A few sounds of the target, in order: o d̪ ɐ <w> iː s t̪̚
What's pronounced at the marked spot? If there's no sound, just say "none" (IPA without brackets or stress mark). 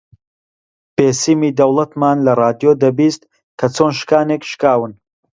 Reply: b